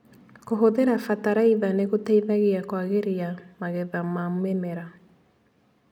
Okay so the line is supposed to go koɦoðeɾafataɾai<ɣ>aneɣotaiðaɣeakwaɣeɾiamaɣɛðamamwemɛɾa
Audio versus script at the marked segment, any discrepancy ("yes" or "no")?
yes